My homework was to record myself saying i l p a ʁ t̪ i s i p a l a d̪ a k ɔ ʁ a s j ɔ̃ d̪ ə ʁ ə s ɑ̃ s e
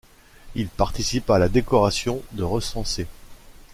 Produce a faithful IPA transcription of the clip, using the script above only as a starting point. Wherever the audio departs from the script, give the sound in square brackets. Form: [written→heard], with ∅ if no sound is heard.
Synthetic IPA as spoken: i l p a ʁ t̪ i s i p a l a d̪ [a→e] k ɔ ʁ a s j ɔ̃ d̪ ə ʁ ə s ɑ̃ s e